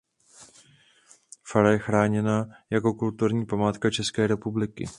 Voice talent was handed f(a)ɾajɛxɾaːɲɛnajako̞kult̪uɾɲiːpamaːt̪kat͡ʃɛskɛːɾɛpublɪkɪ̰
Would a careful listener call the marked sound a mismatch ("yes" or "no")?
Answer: no